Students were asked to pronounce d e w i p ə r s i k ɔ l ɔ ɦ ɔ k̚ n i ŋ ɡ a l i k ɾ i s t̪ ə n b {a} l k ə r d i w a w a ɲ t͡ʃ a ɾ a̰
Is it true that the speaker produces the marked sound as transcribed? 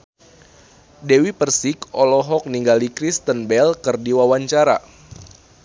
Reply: no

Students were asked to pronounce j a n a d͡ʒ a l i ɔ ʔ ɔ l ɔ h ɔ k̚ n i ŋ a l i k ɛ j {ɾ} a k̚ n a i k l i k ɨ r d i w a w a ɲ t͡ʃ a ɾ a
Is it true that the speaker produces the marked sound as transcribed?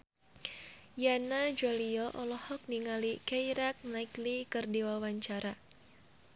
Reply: yes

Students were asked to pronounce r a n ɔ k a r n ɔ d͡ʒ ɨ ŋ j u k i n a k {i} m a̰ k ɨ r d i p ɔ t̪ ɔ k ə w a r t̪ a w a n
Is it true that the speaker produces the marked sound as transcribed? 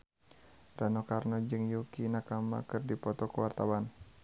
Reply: no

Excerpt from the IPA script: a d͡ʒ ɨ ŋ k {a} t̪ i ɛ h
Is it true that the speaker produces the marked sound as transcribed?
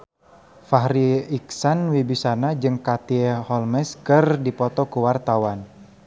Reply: yes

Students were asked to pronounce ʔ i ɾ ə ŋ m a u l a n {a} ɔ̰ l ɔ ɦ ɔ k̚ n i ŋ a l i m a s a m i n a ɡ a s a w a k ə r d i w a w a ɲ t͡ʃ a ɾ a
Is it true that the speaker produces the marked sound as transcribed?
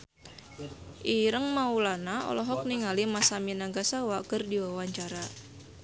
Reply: yes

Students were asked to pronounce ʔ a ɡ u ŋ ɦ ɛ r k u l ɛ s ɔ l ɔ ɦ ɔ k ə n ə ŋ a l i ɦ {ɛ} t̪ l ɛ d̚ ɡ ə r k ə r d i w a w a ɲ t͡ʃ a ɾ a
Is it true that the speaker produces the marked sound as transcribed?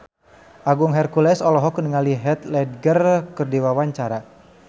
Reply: yes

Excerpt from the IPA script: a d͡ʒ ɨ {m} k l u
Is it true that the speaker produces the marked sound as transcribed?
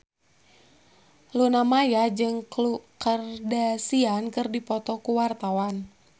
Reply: no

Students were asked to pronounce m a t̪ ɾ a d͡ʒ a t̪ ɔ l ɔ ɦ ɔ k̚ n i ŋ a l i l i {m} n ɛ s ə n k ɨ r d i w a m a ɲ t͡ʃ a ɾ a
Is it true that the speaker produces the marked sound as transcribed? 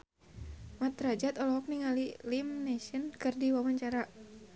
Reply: yes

